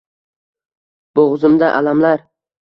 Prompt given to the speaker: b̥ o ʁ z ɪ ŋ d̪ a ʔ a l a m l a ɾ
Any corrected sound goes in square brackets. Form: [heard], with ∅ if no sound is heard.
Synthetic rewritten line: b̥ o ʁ z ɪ [m] d̪ a ʔ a l a m l a ɾ